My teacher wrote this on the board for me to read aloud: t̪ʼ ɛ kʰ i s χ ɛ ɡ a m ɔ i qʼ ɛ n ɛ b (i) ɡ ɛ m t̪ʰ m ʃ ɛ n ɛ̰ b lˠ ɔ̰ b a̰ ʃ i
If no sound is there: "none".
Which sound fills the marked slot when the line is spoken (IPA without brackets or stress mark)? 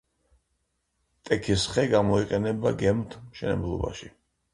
a